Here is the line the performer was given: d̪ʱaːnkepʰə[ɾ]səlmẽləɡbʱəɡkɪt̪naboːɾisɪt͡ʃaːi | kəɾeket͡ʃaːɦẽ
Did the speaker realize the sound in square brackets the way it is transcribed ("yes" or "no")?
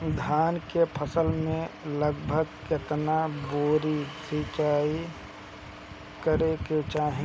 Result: no